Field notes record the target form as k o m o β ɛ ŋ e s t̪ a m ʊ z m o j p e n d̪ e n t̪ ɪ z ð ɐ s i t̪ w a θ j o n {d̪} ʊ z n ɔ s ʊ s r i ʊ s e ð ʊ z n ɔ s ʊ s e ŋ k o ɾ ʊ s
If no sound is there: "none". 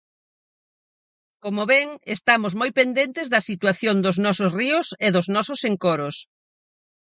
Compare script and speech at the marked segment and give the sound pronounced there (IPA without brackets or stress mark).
d̪